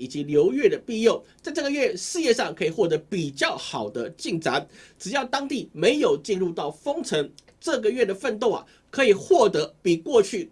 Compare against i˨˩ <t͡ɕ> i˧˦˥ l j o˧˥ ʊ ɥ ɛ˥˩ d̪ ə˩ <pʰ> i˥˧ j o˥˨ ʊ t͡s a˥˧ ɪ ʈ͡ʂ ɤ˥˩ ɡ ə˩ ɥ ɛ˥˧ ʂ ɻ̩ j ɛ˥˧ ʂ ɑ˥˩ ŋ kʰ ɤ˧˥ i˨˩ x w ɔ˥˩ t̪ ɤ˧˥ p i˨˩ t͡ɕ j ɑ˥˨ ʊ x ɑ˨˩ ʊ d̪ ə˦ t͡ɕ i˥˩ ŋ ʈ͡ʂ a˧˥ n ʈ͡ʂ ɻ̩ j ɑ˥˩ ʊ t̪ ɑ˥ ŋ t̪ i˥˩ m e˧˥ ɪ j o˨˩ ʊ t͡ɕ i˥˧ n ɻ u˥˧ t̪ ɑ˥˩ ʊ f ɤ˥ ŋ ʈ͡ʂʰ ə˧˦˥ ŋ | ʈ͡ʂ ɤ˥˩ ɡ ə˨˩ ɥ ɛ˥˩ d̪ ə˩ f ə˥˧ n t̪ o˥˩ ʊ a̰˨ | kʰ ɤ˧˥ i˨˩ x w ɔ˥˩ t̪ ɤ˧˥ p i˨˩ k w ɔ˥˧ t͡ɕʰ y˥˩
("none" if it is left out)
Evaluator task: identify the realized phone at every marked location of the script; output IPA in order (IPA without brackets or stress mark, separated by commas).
t͡ɕ, p